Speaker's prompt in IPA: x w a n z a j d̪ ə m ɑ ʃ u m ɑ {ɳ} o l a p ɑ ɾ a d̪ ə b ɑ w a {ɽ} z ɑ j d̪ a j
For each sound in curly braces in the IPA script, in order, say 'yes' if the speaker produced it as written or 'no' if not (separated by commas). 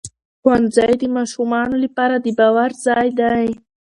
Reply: no, no